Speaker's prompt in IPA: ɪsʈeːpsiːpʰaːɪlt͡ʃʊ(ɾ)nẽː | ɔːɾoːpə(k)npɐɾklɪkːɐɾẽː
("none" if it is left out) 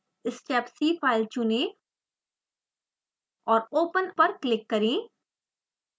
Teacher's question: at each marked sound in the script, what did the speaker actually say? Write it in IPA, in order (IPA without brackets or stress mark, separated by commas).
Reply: none, none